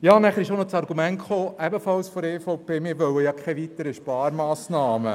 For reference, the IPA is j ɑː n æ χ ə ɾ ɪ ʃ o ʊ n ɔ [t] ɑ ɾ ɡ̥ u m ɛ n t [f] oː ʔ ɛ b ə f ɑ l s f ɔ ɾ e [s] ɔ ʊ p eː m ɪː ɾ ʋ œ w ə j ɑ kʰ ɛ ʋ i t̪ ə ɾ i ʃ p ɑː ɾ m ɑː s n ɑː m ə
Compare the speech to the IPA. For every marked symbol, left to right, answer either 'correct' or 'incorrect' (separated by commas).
incorrect, incorrect, incorrect